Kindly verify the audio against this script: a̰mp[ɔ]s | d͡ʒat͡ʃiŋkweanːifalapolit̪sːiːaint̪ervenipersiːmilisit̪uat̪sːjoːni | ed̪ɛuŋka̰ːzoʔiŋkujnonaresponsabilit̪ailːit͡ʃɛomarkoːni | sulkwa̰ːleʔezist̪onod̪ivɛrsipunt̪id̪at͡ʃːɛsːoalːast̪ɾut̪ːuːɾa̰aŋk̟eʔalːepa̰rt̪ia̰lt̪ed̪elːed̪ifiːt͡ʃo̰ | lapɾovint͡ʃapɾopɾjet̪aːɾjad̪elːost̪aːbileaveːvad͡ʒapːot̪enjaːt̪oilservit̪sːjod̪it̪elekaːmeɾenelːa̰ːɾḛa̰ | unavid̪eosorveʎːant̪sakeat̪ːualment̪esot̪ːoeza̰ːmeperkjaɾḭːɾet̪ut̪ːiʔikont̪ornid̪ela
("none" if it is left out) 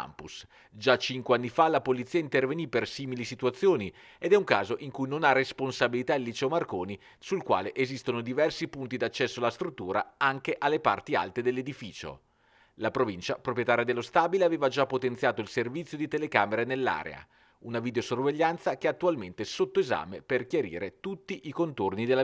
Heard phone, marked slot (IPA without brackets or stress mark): u